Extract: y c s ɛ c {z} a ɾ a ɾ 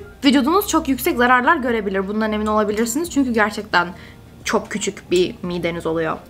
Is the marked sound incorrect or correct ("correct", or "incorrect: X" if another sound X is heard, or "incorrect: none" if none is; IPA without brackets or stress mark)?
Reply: correct